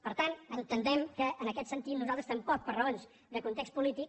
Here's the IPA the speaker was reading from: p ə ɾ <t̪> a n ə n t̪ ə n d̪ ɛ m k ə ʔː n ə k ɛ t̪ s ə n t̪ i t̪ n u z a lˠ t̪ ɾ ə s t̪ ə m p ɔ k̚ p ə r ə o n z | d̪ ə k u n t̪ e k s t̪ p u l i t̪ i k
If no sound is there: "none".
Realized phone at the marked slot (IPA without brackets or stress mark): t̪